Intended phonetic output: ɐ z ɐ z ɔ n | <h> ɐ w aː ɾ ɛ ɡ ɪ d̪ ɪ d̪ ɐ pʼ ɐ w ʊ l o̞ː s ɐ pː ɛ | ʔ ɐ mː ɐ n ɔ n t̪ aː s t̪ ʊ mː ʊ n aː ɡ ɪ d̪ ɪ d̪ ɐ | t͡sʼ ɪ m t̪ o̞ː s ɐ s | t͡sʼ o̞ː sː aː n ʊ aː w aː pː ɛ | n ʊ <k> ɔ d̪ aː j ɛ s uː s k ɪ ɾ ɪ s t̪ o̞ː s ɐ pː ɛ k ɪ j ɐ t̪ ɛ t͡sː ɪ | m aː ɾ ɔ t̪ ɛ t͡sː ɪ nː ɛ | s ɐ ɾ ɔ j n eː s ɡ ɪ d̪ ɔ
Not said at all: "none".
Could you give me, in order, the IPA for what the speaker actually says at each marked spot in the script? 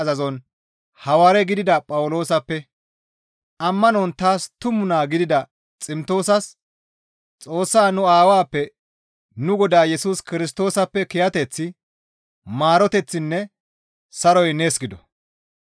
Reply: h, ɡ

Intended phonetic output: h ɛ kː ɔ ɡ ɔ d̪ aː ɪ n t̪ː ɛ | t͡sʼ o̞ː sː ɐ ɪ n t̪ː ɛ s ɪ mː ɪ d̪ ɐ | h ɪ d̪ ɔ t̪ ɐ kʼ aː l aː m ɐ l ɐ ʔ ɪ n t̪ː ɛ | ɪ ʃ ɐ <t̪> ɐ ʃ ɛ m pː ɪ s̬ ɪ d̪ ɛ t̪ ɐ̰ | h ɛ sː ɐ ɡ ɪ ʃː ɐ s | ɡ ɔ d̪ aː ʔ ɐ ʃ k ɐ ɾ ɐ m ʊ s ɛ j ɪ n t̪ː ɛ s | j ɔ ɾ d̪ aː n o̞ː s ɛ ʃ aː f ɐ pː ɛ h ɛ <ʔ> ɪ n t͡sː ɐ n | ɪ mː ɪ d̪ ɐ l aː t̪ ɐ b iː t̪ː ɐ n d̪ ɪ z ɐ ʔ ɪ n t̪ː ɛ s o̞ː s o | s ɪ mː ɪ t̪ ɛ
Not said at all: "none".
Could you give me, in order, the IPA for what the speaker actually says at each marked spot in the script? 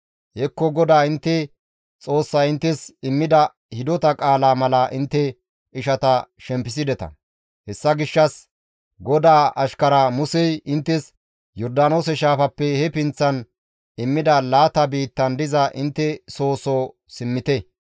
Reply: t̪, p

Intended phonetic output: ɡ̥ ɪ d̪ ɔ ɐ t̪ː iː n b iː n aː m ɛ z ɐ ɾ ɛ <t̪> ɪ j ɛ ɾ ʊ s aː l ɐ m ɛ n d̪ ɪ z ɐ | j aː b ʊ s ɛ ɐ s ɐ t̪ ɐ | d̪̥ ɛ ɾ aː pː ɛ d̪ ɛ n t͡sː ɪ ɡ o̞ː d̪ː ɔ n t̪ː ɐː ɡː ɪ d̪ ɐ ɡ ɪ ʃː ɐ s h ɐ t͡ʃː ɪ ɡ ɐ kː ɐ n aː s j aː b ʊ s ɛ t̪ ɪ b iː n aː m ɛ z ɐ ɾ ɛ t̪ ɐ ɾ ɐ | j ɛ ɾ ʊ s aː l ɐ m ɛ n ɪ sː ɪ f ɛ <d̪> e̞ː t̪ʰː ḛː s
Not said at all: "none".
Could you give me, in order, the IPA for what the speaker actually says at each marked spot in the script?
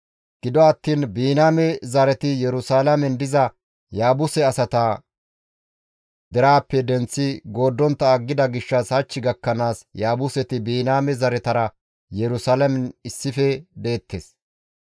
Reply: t̪, d̪

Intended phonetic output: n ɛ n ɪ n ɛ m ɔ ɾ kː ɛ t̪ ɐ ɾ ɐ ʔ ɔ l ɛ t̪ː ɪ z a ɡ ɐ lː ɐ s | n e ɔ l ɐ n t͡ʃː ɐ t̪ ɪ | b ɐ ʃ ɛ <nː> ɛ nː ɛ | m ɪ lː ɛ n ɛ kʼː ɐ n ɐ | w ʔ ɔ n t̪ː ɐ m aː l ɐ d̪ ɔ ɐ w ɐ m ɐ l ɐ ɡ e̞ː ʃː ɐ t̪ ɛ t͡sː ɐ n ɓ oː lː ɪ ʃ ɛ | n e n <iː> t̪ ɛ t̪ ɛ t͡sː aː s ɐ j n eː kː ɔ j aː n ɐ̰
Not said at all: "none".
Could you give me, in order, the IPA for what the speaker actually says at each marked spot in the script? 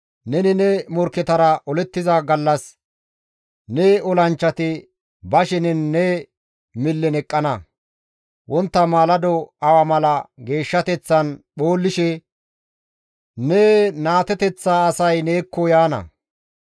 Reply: n, aː

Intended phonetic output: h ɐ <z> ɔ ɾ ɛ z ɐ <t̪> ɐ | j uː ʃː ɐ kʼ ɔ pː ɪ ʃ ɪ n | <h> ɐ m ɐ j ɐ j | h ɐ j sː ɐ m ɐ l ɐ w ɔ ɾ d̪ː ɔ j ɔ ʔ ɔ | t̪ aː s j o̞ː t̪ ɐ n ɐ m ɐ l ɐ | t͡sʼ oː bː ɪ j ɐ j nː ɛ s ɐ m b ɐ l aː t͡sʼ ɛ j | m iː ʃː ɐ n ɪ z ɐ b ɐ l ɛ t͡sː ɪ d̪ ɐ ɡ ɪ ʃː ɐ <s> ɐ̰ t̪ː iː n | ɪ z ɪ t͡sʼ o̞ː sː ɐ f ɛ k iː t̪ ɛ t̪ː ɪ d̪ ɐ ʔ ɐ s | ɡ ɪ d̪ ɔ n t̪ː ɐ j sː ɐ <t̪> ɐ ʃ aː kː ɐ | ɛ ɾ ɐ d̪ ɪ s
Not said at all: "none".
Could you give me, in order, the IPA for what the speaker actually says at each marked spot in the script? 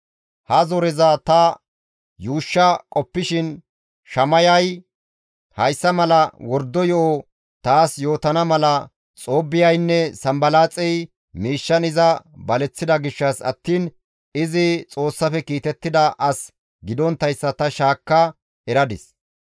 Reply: z, t̪, ʃ, s, t̪

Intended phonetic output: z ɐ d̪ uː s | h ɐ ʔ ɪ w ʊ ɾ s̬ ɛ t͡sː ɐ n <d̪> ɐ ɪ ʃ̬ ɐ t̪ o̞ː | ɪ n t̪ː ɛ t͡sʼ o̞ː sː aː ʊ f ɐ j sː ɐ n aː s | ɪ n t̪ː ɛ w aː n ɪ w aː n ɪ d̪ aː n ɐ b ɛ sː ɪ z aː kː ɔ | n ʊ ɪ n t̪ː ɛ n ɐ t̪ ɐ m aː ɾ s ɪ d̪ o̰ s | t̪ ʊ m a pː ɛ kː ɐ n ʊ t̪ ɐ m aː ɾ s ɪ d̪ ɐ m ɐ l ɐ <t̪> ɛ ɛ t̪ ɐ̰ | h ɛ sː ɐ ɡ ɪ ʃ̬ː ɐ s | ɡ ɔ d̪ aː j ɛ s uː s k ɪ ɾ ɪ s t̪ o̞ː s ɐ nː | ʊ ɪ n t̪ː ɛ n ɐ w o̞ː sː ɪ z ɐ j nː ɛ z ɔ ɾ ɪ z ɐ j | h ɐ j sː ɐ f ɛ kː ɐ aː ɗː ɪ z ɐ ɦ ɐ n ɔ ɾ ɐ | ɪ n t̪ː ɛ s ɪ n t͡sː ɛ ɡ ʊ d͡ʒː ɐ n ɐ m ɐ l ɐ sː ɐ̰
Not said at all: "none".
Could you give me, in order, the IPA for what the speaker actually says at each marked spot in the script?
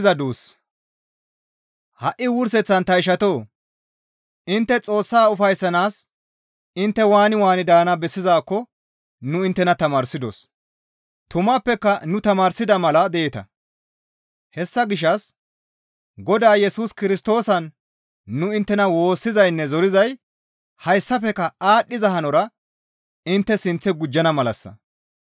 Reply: t̪, d̪

